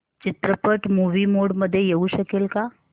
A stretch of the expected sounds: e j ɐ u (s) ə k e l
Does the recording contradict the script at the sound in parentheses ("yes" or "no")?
yes